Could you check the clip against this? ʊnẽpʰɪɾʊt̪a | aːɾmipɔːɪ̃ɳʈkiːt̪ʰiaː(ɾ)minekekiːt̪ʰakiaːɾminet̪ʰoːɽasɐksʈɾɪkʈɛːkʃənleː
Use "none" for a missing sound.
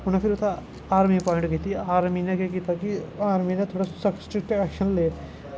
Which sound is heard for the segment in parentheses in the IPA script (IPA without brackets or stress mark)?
ɾ